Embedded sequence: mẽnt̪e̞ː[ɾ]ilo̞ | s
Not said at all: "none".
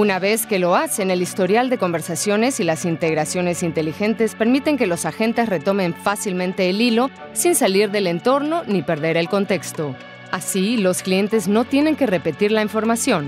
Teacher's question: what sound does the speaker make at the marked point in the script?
l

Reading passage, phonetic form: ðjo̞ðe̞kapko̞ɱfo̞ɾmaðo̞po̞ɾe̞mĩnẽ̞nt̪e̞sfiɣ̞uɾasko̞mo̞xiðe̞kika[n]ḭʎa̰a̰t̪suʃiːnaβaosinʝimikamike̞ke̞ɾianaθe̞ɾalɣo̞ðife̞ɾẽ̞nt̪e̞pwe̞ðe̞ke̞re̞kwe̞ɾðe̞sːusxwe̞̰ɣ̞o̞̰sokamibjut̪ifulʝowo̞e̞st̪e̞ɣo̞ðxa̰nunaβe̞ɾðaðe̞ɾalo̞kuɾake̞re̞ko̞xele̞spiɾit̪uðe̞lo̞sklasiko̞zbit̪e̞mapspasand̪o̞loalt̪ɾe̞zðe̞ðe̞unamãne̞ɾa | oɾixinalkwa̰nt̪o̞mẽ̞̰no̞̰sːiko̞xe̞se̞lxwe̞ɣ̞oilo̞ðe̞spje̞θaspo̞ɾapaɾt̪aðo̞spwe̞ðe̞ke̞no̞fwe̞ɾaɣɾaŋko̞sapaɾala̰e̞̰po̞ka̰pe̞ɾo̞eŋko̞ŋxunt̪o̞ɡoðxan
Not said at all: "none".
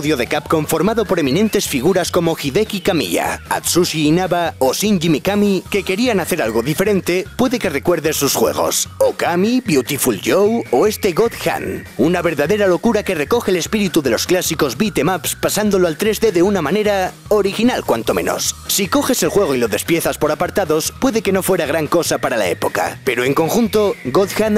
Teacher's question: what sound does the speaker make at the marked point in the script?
m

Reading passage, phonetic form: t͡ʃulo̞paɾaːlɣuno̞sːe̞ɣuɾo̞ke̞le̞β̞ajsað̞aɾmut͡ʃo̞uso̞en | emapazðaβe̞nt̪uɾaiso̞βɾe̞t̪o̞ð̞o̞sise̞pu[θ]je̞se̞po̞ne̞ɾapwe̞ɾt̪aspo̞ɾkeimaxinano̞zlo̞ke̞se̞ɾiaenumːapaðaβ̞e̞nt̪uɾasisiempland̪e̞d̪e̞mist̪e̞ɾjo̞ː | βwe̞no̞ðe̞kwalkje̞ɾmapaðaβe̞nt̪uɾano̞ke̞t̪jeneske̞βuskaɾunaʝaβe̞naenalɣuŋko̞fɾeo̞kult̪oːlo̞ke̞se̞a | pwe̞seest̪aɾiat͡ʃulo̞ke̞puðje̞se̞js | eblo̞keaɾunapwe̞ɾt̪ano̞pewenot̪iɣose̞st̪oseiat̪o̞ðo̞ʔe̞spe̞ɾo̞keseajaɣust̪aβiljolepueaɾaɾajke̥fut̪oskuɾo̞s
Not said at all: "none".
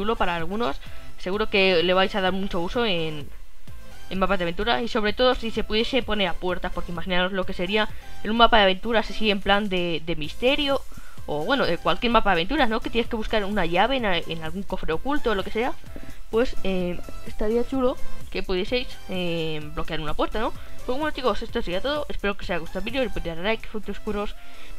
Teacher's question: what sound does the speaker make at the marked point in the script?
ð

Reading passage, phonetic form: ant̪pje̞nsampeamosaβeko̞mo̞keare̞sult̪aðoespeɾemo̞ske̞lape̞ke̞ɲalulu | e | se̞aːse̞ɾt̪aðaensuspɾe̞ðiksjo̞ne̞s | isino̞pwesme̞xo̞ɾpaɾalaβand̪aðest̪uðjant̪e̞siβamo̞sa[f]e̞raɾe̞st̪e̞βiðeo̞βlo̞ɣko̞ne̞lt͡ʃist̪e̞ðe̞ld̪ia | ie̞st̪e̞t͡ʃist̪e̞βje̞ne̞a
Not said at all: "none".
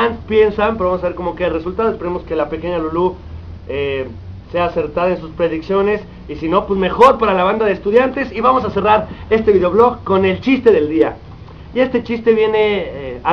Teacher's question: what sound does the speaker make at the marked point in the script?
s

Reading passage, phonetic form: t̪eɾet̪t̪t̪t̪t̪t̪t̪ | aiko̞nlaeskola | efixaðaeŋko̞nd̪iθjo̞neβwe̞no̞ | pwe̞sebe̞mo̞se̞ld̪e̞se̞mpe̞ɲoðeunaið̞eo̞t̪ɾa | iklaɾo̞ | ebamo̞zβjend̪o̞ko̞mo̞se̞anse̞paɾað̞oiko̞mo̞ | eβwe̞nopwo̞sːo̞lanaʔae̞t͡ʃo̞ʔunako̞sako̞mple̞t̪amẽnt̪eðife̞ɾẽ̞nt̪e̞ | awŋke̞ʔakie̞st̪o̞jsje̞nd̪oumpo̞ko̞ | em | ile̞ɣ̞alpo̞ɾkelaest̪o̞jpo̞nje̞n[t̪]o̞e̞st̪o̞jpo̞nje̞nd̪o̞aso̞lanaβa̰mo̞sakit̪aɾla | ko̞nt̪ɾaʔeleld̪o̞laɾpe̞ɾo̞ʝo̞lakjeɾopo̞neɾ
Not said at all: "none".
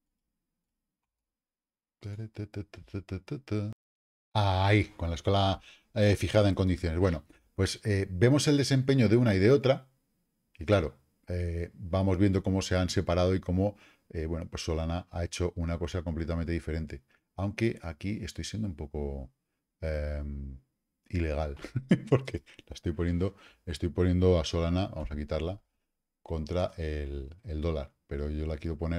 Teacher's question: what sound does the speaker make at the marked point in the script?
d̪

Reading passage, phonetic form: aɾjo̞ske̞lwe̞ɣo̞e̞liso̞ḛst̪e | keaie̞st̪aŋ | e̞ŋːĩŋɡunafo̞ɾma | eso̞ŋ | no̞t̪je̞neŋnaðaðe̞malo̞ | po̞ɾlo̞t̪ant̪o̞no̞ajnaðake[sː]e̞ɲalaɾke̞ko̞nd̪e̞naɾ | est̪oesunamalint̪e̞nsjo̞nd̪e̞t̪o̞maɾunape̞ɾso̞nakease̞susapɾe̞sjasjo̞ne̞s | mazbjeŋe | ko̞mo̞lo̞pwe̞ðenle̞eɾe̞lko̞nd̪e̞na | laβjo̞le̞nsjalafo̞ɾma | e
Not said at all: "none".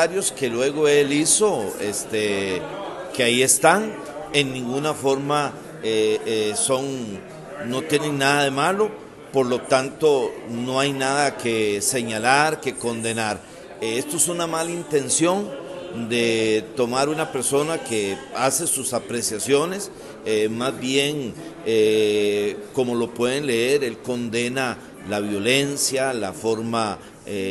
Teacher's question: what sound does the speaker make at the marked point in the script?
s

